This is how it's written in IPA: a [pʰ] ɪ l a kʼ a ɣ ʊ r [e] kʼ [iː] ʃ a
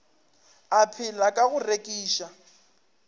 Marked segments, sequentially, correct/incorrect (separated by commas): correct, correct, correct